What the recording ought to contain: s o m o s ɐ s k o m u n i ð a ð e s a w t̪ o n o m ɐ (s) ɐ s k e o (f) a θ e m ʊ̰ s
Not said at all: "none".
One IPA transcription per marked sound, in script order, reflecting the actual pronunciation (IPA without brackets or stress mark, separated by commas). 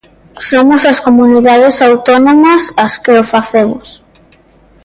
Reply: s, f